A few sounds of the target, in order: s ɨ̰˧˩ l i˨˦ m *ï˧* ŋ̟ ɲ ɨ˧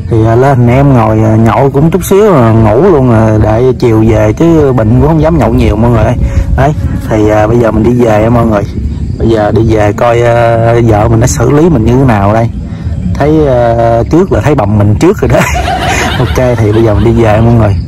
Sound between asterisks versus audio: incorrect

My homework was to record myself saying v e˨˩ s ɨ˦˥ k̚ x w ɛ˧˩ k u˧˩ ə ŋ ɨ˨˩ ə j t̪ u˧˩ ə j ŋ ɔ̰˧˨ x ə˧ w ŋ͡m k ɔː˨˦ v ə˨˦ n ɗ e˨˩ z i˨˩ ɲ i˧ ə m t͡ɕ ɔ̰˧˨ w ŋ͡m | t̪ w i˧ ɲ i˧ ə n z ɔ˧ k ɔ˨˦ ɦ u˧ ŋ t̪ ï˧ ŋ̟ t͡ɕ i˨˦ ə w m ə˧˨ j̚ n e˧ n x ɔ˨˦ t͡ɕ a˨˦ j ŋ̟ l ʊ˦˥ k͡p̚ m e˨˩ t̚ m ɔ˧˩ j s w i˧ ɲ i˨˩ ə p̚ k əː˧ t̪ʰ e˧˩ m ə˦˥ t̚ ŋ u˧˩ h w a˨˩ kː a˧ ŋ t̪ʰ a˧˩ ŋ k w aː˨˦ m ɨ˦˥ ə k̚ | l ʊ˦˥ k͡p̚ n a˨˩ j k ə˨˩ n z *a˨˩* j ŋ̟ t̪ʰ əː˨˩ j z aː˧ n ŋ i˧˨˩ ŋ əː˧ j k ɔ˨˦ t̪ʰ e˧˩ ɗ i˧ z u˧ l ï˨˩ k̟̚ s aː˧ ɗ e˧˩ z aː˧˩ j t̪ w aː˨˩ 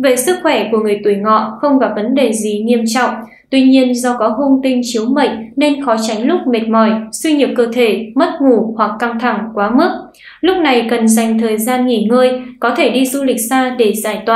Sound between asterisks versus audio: correct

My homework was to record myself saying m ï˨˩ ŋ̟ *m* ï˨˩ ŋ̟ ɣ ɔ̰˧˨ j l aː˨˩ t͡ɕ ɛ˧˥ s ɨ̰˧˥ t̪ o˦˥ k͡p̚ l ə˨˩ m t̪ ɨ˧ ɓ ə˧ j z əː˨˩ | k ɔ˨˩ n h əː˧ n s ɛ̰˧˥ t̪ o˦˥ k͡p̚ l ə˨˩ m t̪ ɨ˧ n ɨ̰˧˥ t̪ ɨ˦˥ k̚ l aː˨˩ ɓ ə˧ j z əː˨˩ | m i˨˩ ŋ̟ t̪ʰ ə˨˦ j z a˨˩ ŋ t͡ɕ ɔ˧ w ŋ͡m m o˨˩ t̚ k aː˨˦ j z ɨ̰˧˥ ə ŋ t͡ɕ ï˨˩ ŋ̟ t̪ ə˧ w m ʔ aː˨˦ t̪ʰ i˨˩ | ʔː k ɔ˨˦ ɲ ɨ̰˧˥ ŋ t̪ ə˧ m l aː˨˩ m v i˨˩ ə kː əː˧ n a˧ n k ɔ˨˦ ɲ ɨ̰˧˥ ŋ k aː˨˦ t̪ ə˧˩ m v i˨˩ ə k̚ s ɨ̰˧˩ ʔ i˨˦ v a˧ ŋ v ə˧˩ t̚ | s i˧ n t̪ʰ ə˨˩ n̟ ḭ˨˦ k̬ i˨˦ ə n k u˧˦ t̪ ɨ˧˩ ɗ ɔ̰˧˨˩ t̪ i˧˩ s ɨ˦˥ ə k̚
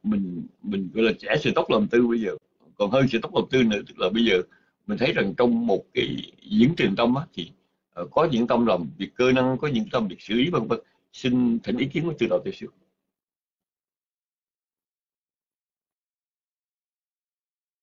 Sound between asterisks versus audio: correct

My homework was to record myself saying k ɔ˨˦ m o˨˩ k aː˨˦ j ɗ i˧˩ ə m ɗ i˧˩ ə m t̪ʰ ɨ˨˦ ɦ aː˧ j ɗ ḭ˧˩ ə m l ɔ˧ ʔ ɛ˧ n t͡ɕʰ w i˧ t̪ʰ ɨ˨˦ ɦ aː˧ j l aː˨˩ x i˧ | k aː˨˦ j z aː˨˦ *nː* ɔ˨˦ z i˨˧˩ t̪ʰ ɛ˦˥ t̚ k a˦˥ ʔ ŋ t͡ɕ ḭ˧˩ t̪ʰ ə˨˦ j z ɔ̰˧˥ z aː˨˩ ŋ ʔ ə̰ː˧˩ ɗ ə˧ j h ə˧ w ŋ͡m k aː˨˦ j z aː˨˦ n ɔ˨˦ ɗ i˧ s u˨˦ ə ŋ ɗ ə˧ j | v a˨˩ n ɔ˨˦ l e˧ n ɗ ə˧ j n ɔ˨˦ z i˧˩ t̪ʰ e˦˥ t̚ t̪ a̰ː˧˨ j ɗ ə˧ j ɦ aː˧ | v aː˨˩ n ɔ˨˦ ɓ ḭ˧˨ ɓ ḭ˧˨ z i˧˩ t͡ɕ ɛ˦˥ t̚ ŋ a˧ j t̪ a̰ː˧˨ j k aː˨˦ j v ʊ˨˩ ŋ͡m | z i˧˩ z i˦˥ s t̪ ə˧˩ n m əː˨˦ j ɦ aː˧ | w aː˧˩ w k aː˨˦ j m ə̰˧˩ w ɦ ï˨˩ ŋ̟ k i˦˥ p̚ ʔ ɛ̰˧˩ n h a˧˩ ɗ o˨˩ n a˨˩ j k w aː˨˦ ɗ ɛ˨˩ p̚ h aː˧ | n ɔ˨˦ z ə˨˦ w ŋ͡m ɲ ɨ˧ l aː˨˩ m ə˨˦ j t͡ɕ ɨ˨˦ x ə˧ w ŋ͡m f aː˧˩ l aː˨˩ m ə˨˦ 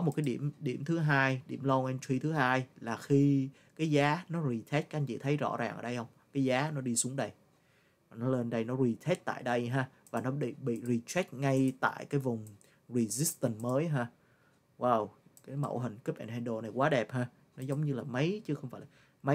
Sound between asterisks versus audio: incorrect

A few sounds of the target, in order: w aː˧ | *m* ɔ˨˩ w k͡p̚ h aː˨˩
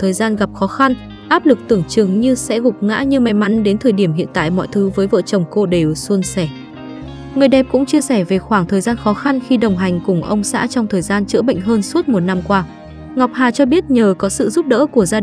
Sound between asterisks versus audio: incorrect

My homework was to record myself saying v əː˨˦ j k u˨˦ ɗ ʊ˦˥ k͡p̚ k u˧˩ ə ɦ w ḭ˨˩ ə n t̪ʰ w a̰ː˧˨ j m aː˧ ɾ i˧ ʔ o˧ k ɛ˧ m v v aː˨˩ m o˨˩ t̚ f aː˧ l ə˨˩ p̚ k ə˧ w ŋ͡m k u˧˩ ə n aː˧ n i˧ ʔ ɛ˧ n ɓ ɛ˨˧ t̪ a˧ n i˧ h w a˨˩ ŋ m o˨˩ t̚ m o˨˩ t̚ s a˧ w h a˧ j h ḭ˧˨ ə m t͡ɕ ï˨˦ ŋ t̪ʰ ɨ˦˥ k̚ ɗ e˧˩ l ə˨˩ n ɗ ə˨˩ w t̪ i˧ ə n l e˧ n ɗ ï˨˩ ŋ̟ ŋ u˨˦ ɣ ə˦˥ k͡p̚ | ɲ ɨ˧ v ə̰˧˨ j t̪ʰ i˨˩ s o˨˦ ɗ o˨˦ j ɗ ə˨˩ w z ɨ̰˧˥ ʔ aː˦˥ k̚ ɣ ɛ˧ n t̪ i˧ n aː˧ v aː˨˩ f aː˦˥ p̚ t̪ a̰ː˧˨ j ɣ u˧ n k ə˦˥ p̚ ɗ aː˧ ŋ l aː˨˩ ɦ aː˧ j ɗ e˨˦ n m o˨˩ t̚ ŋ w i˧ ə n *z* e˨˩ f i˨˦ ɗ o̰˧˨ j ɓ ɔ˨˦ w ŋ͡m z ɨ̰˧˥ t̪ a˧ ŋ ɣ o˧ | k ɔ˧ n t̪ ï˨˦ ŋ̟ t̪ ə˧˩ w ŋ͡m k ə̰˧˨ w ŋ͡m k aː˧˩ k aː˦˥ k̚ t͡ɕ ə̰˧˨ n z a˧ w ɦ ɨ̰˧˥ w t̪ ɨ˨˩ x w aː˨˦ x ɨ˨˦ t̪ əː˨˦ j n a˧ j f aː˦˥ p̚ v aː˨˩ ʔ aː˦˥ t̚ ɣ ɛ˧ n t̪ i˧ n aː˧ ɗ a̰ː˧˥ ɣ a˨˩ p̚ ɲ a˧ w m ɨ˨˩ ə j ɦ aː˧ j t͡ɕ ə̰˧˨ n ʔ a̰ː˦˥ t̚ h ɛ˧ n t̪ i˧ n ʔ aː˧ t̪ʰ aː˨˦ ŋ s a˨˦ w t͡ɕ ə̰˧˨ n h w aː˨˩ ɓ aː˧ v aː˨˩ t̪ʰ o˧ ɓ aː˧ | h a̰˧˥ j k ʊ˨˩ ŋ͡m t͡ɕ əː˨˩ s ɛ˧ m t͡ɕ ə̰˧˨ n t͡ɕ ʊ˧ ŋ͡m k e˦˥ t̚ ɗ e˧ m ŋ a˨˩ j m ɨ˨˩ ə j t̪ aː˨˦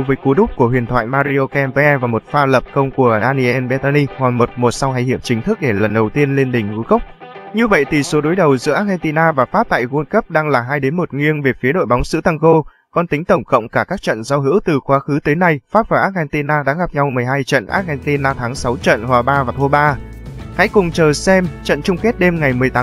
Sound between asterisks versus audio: incorrect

